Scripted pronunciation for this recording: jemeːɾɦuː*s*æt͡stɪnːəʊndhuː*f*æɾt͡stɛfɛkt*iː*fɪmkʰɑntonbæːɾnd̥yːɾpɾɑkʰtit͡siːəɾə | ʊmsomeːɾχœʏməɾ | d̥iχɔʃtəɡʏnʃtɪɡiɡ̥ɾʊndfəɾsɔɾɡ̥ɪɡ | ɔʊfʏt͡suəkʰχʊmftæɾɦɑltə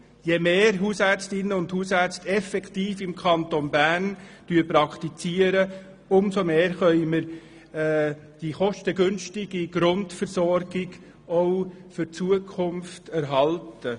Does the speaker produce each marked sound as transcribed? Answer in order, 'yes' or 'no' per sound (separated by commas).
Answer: yes, no, yes